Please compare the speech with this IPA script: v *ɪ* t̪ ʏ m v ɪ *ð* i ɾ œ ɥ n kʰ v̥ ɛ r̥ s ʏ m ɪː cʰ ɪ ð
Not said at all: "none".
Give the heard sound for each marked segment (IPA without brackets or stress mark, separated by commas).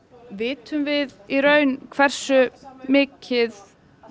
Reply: ɪː, ð